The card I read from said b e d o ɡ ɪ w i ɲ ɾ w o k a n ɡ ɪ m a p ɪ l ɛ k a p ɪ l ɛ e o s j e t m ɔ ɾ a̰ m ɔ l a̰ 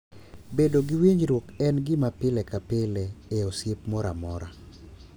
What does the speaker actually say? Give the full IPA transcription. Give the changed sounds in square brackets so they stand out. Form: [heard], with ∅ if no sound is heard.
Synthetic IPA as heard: b e d o ɡ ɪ w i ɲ ɾ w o k [ɛ] n ɡ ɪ m a p ɪ l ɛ k a p ɪ l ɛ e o s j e [p] m ɔ ɾ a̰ m ɔ [ɾ] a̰